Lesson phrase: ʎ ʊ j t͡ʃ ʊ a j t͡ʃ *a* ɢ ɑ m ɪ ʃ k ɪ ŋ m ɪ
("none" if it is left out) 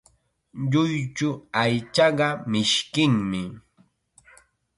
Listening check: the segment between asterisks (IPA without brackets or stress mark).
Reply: ɑ